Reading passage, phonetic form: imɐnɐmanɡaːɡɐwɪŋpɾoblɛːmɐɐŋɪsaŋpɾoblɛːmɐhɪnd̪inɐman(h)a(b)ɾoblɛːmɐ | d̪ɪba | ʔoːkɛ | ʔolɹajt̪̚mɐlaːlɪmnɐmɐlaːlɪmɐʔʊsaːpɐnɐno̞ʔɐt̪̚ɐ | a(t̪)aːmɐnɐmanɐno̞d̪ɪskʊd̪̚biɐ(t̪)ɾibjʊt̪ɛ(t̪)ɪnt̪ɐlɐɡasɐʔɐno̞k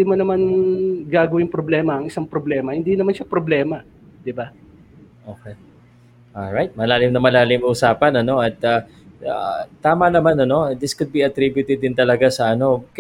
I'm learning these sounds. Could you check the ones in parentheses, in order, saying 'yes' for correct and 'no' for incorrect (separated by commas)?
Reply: no, no, yes, yes, no